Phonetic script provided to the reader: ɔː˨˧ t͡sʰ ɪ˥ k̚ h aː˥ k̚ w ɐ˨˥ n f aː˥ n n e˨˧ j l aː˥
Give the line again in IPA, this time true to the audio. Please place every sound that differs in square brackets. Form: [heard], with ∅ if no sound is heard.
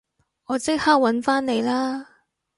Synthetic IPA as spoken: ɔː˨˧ [t͡s] ɪ˥ k̚ h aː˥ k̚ w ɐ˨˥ n f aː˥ n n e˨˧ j l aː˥